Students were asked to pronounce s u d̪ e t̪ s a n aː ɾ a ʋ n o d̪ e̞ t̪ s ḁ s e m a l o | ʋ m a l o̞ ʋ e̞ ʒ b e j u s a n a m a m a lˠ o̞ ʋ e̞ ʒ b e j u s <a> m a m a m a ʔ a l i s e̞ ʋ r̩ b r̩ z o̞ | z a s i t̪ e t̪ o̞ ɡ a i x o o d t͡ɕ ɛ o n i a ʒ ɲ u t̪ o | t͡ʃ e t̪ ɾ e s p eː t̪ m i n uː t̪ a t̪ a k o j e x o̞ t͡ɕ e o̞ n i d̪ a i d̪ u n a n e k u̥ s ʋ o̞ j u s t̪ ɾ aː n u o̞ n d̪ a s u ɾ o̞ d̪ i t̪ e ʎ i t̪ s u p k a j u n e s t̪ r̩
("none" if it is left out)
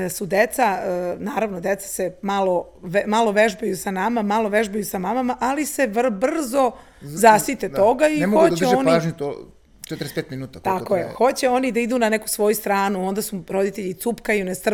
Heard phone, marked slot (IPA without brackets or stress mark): a